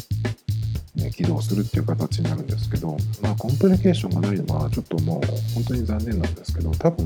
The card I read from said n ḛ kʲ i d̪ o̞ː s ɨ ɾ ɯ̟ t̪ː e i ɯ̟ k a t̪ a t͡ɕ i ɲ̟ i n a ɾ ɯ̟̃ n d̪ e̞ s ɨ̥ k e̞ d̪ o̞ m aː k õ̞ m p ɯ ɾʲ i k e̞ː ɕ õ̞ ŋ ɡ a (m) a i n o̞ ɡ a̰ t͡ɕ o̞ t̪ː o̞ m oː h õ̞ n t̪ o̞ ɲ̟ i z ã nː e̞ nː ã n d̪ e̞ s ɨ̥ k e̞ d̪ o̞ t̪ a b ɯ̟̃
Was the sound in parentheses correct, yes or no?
no